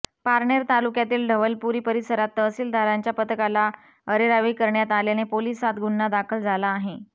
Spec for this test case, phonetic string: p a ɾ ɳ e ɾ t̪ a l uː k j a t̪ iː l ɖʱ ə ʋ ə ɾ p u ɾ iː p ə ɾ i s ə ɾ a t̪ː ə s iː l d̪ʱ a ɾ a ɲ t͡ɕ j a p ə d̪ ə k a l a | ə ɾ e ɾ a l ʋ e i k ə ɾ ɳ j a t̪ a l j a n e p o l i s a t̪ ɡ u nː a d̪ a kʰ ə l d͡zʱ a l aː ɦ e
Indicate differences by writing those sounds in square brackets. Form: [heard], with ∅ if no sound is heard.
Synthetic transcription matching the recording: p a ɾ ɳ e ɾ t̪ a l [u] k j a t̪ iː l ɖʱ ə ʋ ə [l] p u ɾ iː p ə ɾ i s ə ɾ a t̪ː ə s iː l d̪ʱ a ɾ a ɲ t͡ɕ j a p ə [t̪] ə k a l a | ə ɾ e ɾ a [∅] ʋ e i k ə ɾ ɳ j a t̪ a l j a n e p o l i s a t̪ ɡ u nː a d̪ a kʰ ə l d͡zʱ a l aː ɦ e